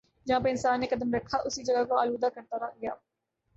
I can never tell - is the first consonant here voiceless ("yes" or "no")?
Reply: no